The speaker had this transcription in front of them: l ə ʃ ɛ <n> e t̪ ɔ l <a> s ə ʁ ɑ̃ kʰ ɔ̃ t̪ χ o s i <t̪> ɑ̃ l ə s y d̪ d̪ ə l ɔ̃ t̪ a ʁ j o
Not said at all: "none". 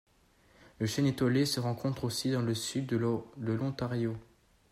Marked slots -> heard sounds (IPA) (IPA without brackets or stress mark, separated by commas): n, e, d̪